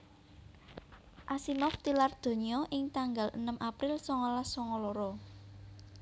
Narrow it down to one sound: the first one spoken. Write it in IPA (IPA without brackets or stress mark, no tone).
ʔ